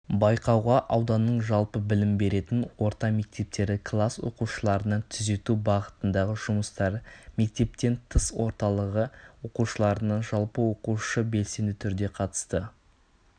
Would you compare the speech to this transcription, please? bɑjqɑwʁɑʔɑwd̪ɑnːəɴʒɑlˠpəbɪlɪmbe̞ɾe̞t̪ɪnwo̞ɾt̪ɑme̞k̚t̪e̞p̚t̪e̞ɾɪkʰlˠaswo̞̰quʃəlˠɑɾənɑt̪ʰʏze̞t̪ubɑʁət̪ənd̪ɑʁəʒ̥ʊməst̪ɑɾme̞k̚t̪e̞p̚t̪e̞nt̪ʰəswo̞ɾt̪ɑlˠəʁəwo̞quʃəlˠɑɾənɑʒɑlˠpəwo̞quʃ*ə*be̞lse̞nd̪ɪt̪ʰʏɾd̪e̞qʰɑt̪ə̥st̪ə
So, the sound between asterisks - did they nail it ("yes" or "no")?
yes